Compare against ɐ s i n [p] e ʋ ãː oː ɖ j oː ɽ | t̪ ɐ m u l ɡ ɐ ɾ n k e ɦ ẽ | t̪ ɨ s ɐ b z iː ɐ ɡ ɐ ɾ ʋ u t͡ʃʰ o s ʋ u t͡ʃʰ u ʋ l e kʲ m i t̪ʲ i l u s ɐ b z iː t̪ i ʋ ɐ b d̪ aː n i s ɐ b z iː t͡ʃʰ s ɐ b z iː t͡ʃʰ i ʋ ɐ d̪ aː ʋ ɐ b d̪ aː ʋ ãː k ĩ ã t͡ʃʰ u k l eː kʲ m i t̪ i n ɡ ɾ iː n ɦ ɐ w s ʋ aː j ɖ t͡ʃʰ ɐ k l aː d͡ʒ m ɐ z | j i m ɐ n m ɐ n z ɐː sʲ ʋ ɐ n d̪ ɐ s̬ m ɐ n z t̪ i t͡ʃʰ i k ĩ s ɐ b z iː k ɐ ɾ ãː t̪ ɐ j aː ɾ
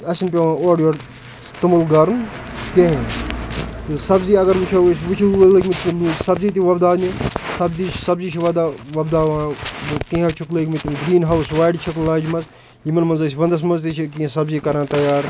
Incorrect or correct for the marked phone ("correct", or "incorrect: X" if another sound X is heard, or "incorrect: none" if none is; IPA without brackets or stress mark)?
correct